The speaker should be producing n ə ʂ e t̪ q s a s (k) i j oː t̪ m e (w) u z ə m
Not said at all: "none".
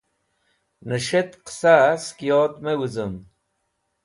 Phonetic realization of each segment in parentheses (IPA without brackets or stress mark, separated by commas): k, w